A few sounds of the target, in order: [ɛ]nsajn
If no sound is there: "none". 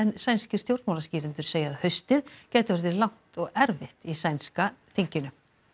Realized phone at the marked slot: ɛ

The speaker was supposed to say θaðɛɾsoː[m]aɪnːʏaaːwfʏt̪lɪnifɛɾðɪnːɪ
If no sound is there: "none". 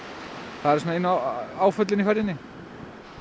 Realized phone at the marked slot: n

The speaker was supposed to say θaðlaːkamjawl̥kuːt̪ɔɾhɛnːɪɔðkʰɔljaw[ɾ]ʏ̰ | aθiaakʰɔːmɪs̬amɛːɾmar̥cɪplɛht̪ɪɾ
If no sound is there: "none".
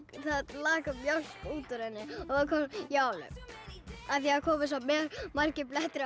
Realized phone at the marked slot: l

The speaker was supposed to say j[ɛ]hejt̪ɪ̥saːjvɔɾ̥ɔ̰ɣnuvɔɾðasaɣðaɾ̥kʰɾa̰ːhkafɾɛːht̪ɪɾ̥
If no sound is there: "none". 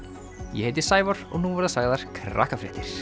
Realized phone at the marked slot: ɛ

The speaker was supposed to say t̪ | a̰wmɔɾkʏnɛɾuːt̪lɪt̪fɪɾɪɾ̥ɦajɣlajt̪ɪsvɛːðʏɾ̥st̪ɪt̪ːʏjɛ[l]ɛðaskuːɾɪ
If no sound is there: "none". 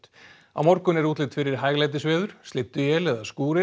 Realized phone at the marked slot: l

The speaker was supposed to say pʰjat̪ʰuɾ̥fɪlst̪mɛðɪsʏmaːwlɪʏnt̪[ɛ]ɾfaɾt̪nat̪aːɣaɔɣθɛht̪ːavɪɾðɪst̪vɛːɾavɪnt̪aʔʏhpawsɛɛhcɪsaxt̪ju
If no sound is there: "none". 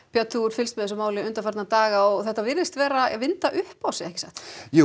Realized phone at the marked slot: a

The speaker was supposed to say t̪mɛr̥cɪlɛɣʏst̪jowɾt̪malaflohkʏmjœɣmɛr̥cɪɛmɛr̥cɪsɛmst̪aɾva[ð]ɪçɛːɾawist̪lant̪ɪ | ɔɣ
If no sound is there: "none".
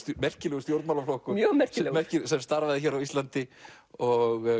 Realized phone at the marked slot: ð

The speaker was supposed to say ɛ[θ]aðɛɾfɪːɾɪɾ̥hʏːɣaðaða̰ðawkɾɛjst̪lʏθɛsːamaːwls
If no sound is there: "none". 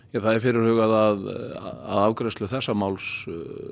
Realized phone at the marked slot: θ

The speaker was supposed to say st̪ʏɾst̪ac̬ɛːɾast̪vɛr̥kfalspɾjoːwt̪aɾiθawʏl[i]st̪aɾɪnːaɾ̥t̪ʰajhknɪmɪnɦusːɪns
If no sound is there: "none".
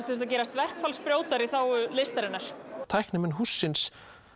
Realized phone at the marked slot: e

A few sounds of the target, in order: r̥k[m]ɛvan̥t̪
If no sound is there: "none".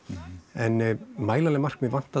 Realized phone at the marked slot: m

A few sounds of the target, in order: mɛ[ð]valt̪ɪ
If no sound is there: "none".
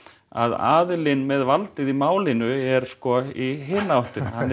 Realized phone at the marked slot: ð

